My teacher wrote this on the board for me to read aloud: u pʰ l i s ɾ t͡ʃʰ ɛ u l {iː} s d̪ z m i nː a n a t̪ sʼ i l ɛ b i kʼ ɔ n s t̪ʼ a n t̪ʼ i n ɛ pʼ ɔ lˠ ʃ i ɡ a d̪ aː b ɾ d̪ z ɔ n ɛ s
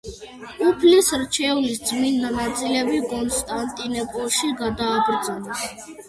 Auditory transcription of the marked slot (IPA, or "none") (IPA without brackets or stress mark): i